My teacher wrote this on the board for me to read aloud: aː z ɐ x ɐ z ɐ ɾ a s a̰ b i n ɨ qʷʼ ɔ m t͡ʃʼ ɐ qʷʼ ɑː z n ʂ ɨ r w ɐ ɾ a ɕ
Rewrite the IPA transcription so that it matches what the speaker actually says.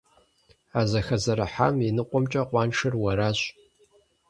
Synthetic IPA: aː z ɐ x ɐ z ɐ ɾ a ħ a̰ m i n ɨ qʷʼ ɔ m t͡ʃʼ ɐ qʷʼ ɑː n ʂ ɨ r w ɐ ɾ a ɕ